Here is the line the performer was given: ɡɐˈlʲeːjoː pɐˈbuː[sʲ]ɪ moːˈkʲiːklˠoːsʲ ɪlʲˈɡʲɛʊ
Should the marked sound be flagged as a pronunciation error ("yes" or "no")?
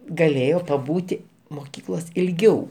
yes